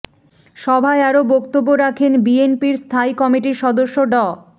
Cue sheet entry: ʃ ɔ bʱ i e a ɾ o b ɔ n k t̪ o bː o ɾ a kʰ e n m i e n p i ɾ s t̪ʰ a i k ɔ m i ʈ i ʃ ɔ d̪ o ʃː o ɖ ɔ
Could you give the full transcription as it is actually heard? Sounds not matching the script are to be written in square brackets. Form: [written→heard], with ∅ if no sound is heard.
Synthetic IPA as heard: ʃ ɔ bʱ [i→a] e a ɾ o b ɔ [n→∅] k t̪ o bː o ɾ a kʰ e n [m→b] i e n p i ɾ s t̪ʰ a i k ɔ m i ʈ i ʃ ɔ d̪ o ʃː o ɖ ɔ